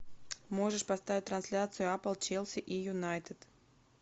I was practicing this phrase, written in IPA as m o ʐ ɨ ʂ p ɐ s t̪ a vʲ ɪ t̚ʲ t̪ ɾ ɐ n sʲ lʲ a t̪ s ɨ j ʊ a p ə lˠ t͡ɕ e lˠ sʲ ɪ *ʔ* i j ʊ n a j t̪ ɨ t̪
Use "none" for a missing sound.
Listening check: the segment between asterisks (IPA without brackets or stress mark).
ʔ